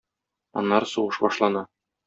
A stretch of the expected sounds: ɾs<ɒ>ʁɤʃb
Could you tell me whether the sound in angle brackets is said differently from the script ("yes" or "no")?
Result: yes